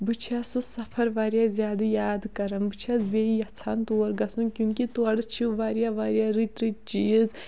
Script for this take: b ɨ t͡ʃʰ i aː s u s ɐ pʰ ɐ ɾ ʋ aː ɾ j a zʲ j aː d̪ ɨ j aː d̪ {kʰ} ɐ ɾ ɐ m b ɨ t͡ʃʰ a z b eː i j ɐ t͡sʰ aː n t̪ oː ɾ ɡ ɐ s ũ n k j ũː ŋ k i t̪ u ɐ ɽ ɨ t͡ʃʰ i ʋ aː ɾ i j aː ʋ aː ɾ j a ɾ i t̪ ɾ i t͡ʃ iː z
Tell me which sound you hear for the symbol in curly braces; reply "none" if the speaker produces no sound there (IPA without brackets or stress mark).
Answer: k